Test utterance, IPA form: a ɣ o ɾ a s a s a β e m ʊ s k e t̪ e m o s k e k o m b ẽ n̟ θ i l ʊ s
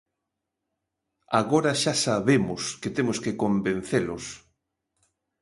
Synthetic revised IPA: a ɣ o ɾ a ʃ a s a β e m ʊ s k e t̪ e m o s k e k o m b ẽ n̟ θ e l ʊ s

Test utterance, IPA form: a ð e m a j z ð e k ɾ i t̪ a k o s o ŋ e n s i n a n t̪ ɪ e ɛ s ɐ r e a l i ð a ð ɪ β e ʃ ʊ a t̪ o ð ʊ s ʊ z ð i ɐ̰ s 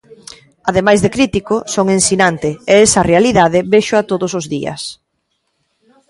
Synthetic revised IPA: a ð e m a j z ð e k ɾ i t̪ i k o s o ŋ e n s i n a n t̪ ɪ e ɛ s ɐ r e a l i ð a ð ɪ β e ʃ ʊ a t̪ o ð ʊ s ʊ z ð i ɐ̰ s

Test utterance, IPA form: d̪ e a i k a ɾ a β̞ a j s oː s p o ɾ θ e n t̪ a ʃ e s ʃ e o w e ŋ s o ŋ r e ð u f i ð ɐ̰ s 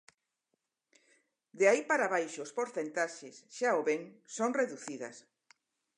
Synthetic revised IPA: d̪ e a i p a ɾ a β̞ a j ʃ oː s p o ɾ θ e n t̪ a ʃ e s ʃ a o β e ŋ s o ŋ r e ð u θ i ð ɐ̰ s

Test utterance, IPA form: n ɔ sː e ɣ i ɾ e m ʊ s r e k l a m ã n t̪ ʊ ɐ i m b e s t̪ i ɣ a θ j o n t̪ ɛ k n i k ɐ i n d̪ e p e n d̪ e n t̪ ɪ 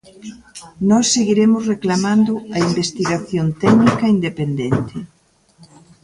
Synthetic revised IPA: n ɔ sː e ɣ i ɾ e m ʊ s r e k l a m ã n d̪ ʊ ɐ i m b e s t̪ i ɣ a θ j o n t̪ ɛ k n i k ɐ i n d̪ e p e n d̪ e n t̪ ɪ

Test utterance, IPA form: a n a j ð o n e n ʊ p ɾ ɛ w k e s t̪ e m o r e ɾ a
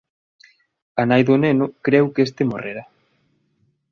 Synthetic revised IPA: a n a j ð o n e n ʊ k ɾ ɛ w k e s t̪ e m o r e ɾ a

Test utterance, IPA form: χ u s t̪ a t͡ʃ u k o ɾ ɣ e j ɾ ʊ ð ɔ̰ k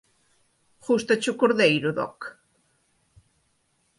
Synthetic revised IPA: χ u s t̪ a t͡ʃ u k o ɾ ð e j ɾ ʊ ð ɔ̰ k

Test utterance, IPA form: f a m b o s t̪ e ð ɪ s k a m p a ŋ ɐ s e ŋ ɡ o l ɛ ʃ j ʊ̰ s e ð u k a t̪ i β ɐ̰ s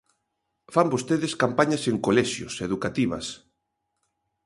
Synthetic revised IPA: f a m b o s t̪ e ð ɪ s k a m p a ɲ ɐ s e ŋ k o l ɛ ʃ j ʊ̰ s e ð u k a t̪ i β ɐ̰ s

